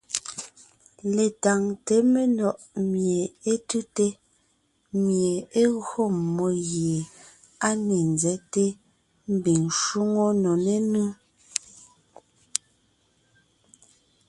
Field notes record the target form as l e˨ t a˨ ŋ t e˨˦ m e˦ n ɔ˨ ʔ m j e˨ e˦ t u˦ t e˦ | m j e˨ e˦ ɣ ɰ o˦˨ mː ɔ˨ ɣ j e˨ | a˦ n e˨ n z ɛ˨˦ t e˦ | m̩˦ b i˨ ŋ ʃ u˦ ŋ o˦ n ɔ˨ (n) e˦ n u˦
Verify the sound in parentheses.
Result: correct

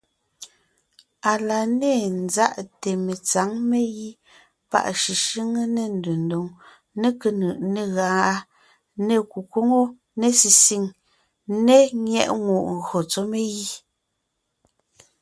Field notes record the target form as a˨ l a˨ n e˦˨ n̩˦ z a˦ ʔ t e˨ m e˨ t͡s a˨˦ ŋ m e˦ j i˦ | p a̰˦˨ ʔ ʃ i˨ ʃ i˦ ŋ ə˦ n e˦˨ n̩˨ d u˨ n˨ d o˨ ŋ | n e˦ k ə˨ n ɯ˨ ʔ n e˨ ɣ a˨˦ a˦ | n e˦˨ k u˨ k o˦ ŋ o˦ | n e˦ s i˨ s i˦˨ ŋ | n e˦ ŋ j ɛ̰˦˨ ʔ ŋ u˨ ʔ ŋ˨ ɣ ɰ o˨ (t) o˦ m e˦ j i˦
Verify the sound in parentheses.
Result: incorrect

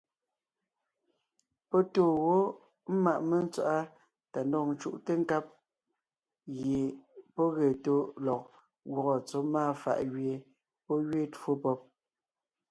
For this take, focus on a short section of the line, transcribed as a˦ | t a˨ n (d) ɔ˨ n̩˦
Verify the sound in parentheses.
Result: correct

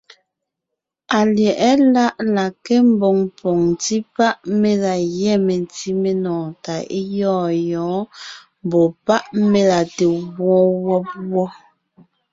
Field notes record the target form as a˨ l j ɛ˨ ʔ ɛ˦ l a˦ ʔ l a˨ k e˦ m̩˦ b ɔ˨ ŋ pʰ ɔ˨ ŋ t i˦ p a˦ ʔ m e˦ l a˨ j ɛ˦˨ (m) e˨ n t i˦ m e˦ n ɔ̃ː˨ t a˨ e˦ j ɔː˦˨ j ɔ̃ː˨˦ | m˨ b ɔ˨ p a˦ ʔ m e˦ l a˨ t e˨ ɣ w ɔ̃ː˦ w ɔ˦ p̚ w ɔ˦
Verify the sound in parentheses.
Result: correct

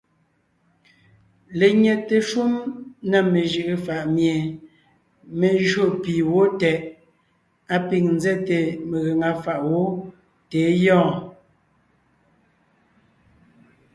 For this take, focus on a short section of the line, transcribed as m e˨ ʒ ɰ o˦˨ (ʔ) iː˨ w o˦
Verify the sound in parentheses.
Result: incorrect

